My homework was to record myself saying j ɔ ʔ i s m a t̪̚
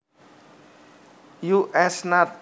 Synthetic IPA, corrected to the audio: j u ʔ ɛ s n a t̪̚